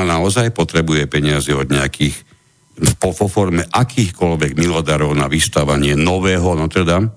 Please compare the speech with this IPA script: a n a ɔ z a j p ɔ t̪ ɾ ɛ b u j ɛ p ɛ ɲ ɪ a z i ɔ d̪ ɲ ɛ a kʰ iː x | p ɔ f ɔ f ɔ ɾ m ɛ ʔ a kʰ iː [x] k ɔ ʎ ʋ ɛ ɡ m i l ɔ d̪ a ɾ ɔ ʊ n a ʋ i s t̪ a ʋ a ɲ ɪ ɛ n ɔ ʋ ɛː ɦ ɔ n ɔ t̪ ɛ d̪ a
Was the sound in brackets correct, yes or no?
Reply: yes